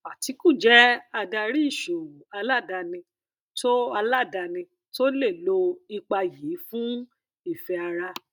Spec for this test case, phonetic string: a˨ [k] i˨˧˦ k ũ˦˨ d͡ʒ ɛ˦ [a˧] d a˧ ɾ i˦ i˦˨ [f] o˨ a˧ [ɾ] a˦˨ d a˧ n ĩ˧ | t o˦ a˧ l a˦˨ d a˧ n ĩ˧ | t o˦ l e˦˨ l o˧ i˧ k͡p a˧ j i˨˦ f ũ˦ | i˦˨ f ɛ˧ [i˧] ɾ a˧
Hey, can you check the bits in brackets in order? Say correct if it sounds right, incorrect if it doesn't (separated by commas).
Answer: incorrect, correct, incorrect, incorrect, incorrect